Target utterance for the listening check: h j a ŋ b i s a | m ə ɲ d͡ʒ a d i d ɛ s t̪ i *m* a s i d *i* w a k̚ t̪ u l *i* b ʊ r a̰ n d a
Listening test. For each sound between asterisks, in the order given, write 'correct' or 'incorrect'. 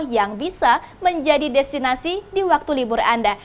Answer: incorrect: n, correct, correct

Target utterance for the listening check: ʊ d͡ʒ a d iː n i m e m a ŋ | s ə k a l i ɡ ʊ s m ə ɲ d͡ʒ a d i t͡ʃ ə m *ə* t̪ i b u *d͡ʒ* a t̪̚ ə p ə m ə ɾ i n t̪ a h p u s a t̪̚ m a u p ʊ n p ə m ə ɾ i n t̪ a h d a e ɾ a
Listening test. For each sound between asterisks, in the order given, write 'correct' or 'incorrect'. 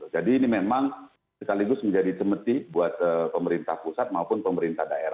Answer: correct, incorrect: none

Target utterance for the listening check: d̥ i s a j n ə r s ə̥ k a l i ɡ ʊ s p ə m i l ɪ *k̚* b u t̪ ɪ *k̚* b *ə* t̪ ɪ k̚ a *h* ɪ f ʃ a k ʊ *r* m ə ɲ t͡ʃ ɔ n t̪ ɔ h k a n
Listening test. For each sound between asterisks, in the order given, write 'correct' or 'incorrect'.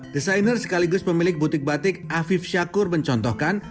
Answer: correct, correct, incorrect: a, incorrect: f, correct

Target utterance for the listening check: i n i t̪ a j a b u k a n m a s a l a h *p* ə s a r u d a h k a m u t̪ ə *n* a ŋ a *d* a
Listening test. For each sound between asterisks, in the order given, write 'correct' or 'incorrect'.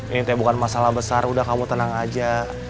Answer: incorrect: b, correct, incorrect: d͡ʒ

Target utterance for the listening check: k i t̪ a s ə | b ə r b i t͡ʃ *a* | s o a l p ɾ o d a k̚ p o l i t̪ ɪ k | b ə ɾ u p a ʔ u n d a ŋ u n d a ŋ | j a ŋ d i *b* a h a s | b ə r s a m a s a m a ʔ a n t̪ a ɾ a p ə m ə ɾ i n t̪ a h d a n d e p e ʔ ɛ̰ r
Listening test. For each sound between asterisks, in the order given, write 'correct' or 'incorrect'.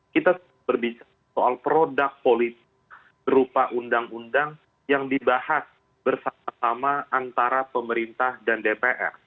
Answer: correct, correct

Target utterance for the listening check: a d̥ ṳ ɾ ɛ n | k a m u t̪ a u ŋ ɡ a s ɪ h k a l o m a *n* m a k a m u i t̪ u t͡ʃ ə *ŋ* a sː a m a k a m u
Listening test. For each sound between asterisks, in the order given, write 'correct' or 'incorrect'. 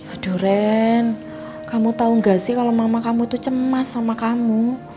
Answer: incorrect: none, incorrect: m

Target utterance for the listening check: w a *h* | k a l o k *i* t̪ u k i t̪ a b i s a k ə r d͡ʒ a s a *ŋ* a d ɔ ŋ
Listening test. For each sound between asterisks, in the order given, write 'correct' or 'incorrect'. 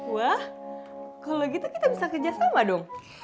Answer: correct, correct, incorrect: m

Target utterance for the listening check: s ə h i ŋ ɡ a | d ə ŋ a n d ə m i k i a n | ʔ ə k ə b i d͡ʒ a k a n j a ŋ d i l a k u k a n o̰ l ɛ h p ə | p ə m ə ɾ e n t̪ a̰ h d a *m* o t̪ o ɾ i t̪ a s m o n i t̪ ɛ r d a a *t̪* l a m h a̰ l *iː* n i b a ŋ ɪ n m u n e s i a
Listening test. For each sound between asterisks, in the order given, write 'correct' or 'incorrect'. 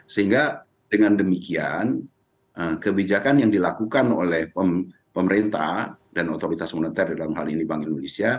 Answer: incorrect: n, incorrect: none, incorrect: i

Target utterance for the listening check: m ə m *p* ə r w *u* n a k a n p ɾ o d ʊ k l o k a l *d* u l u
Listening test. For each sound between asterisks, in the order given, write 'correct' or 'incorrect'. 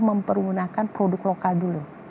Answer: correct, correct, correct

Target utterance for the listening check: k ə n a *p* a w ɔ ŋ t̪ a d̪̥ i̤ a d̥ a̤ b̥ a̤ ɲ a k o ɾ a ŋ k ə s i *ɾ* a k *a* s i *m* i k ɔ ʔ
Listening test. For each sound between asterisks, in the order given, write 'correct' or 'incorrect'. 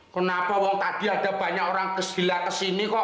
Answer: correct, incorrect: l, incorrect: ə, incorrect: n

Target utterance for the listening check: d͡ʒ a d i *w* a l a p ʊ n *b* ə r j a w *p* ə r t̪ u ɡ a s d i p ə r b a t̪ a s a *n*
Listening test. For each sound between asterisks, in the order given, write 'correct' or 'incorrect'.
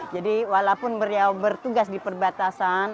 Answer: correct, correct, incorrect: b, correct

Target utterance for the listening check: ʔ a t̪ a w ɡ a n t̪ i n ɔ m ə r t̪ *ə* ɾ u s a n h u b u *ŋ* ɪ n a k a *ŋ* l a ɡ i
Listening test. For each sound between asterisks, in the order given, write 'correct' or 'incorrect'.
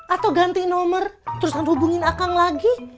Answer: correct, correct, correct

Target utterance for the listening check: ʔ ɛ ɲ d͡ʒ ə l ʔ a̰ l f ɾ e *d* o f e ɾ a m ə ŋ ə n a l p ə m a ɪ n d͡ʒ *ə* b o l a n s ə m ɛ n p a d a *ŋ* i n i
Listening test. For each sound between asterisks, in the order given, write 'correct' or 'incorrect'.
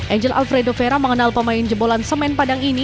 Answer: correct, correct, correct

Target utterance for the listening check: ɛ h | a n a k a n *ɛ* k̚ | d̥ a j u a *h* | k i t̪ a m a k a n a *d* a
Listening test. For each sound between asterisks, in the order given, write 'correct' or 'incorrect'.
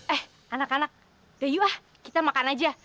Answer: incorrect: a, correct, incorrect: d͡ʒ

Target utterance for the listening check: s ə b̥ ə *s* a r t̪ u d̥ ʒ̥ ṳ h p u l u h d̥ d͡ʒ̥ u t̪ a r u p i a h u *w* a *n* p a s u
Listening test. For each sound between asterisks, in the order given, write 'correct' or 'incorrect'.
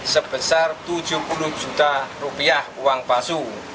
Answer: correct, correct, incorrect: ŋ

